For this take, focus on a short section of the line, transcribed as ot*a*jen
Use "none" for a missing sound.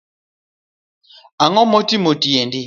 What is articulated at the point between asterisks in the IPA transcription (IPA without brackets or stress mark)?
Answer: i